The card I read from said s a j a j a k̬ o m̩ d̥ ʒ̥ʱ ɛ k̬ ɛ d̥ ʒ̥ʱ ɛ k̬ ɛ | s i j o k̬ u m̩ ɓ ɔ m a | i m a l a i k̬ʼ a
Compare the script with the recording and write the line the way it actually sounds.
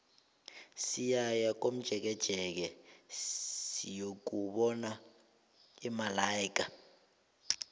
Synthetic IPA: s i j a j a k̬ o m̩ d̥ ʒ̥ʱ ɛ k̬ ɛ d̥ ʒ̥ʱ ɛ k̬ ɛ | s i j o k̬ u ɓ ɔ n a | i m a l a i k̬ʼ a